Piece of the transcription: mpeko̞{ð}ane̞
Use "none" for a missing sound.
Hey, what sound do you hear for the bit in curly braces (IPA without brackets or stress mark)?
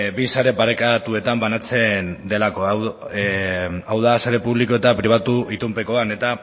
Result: none